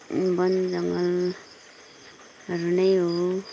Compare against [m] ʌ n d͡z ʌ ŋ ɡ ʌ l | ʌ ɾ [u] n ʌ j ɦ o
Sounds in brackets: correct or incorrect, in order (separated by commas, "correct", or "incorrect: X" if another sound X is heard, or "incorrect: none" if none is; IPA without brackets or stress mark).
incorrect: b, correct